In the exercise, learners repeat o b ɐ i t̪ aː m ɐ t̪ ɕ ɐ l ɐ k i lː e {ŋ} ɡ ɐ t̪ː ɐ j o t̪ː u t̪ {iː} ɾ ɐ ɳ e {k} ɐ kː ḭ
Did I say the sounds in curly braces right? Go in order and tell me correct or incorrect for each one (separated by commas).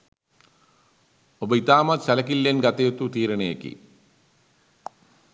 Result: incorrect, correct, incorrect